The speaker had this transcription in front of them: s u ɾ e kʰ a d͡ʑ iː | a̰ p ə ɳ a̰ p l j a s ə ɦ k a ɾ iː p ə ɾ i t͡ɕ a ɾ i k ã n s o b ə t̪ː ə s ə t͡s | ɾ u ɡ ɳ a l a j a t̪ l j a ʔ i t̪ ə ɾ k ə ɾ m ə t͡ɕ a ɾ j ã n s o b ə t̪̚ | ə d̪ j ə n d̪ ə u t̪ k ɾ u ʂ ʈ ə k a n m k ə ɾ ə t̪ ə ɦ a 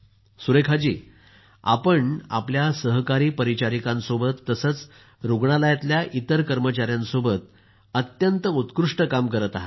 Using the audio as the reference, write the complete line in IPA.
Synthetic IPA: s u ɾ e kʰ a d͡ʑ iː | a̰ p ə ɳ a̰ p l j a s ə ɦ k a ɾ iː p ə ɾ i t͡ɕ a ɾ i k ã n s o b ə t̪ː ə s ə t͡s | ɾ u ɡ ɳ a l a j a t̪ l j a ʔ i t̪ ə ɾ k ə ɾ m ə t͡ɕ a ɾ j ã n s o b ə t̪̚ | ə t̪ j ə n t̪ ə u t̪ k ɾ u ʂ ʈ ə k a m k ə ɾ ə t̪ a ɦ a